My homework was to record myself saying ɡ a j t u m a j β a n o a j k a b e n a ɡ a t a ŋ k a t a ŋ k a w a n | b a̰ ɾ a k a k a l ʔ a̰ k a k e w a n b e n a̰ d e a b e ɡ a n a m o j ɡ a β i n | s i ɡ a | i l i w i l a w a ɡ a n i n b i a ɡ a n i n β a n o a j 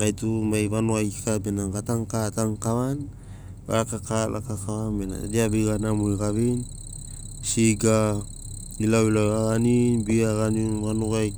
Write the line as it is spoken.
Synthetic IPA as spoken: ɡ a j t u m a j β a n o a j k a b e n a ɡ a t a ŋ k a t a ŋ k a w a n | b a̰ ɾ a k a k a l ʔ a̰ k a k a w a n b e n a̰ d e a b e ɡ a n a m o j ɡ a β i n | s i ɡ a | i l a w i l a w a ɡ a n i n b i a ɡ a n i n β a n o a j